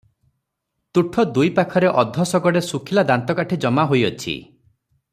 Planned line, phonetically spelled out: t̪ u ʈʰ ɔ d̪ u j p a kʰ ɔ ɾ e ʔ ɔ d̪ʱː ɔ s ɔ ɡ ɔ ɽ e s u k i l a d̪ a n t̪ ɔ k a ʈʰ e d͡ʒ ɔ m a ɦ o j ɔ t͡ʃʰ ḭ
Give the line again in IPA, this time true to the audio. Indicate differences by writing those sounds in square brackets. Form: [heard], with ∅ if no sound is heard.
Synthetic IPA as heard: t̪ u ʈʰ ɔ d̪ u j p a kʰ ɔ ɾ e ʔ ɔ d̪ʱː ɔ s ɔ ɡ ɔ ɽ e s u [kʰ] i l a d̪ a n t̪ ɔ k a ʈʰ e d͡ʒ ɔ m a ɦ o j ɔ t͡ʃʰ ḭ